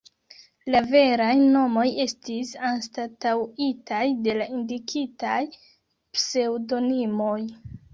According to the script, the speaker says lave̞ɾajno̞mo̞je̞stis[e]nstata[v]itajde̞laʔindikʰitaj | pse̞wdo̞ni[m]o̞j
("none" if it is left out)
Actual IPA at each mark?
a, w, m

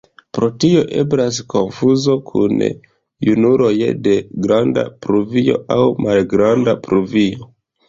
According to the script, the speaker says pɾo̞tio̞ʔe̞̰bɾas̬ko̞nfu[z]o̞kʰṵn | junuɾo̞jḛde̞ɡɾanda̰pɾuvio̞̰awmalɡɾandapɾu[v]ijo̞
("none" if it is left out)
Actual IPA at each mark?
z, v

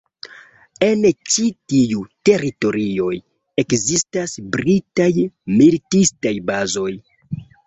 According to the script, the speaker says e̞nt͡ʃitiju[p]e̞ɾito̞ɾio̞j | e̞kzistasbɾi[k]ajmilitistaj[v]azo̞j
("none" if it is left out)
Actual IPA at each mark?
t, t, b

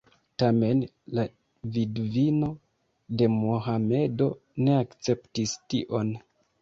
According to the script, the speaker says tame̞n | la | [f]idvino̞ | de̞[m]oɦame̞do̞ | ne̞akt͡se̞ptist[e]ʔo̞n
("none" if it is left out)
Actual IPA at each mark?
v, m, i

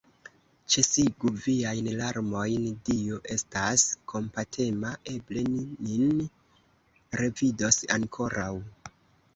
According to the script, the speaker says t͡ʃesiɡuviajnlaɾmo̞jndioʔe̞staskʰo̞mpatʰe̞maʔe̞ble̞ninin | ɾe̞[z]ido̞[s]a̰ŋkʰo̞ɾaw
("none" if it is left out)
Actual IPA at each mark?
v, s

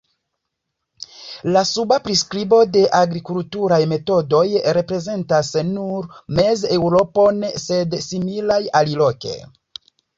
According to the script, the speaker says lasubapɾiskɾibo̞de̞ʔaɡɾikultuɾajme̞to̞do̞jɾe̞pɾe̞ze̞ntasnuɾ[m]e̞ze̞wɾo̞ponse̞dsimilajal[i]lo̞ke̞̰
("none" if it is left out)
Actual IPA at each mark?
m, i

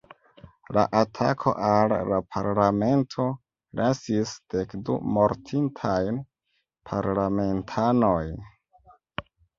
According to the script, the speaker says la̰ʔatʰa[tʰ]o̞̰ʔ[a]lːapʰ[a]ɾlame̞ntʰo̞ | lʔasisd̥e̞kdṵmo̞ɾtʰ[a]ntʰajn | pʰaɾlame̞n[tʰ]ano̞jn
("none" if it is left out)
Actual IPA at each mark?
kʰ, a, a, i, tʰ

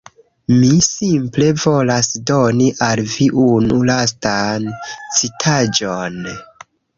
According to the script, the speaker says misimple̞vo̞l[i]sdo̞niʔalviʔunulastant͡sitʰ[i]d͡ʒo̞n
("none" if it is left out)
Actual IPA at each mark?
a, a

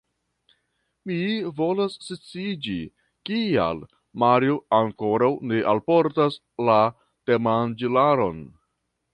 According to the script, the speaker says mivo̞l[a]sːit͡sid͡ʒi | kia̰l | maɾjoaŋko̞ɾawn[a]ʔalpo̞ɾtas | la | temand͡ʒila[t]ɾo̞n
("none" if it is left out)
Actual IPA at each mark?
a, e, none

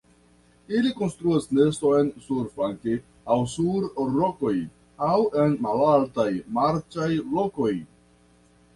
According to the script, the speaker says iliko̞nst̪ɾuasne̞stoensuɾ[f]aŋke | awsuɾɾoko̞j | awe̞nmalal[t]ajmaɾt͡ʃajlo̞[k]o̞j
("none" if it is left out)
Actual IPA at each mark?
f, t, k

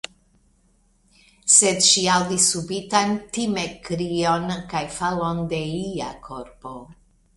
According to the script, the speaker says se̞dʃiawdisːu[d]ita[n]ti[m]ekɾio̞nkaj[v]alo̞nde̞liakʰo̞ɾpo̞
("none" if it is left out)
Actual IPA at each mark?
b, n, m, f

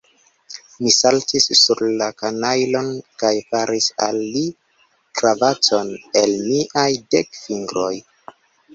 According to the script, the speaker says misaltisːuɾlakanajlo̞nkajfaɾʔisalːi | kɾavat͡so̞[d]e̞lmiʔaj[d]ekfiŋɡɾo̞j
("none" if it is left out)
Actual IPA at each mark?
n, d

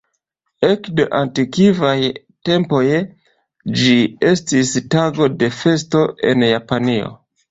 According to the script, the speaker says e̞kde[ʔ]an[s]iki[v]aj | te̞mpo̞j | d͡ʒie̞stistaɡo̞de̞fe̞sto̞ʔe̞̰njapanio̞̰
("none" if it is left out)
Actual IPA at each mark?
ʔ, t, v

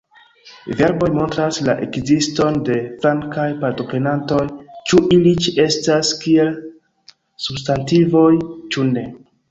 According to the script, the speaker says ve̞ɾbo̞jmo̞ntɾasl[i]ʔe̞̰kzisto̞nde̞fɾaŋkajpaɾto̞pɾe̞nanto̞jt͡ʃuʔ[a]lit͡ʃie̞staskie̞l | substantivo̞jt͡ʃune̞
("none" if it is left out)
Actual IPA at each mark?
a, i

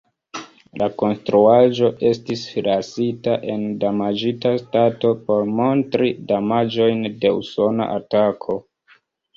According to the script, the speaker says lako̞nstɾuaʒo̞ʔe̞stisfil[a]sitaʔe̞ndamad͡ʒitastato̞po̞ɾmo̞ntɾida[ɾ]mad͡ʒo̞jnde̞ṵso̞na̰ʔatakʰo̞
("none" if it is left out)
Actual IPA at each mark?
a, none

